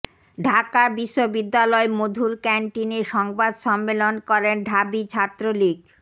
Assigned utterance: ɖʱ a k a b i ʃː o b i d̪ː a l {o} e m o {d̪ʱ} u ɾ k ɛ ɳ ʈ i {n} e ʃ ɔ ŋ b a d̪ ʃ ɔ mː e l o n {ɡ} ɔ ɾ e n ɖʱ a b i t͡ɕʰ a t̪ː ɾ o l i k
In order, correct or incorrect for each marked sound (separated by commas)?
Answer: incorrect, correct, correct, incorrect